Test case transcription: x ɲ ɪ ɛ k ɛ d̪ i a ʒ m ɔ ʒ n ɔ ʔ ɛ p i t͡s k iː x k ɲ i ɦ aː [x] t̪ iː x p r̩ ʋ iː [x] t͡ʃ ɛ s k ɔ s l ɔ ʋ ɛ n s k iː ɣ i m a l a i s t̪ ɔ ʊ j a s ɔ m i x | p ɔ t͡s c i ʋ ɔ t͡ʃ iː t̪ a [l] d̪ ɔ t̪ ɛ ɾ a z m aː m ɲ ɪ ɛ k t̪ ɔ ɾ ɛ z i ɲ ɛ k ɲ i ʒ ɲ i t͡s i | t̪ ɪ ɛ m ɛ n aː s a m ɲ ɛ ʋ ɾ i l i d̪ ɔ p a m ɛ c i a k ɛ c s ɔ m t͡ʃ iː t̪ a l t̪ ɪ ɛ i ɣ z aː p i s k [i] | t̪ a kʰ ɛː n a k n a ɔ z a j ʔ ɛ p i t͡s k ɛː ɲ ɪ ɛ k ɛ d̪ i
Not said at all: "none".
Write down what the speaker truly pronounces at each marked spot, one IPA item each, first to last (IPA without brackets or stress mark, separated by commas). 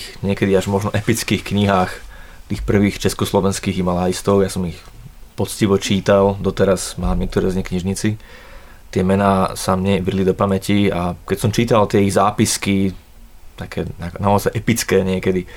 x, x, l, i